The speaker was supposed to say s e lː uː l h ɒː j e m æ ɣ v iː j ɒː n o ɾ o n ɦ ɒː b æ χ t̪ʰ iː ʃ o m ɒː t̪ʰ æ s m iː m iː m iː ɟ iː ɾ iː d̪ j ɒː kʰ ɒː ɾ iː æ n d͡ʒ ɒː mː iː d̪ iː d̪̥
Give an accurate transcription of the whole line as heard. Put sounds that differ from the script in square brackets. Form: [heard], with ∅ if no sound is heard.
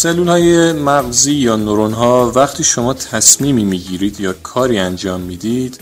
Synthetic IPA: s e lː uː l h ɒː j e m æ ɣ [z] iː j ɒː n o ɾ o n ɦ ɒː [v] æ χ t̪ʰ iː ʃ o m ɒː t̪ʰ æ s m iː m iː m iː ɟ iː ɾ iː d̪ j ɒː kʰ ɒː ɾ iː æ n d͡ʒ ɒː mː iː d̪ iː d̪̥